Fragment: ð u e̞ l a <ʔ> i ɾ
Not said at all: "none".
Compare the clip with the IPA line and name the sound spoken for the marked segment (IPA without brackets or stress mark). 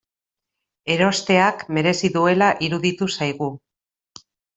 ʔ